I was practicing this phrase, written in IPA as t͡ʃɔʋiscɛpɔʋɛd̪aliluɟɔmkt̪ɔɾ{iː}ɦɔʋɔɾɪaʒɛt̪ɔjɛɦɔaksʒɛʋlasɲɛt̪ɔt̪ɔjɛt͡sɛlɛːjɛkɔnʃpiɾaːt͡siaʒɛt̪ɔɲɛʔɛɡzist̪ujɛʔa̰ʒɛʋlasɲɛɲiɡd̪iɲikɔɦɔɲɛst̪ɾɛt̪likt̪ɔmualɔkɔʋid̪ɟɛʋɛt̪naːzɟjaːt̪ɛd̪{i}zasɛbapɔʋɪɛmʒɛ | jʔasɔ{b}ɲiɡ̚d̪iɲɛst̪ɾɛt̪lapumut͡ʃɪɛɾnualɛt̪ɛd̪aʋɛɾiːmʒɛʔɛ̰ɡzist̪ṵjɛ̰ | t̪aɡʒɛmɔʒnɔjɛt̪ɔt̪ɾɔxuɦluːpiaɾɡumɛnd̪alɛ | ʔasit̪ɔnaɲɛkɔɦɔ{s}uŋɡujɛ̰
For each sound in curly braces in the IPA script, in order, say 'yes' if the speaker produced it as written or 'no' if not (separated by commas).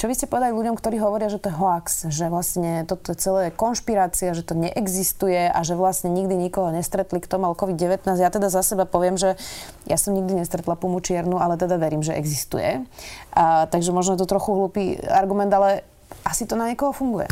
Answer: yes, no, no, no